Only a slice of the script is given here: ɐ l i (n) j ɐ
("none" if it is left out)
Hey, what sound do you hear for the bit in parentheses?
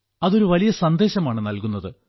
none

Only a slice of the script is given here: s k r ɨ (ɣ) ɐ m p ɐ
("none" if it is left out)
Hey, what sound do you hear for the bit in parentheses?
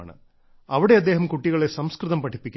ð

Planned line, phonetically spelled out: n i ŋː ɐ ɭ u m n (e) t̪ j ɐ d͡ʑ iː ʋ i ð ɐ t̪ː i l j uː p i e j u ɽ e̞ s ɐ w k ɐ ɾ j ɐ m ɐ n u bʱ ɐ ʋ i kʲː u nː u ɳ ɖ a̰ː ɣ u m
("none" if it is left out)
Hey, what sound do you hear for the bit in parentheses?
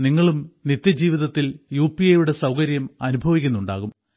i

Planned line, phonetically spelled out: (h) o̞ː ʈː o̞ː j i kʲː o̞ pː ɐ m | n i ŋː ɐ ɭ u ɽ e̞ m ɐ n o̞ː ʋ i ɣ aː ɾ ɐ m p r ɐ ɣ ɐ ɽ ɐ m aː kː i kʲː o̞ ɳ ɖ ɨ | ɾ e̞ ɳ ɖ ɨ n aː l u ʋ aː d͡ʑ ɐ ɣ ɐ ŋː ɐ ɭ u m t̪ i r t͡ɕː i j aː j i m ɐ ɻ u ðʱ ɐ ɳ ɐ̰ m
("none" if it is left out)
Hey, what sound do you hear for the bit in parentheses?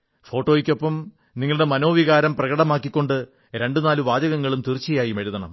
f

